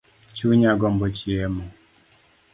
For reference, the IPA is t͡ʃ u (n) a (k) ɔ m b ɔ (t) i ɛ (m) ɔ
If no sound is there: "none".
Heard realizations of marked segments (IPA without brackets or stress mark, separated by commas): ɲ, ɡ, t͡ʃ, m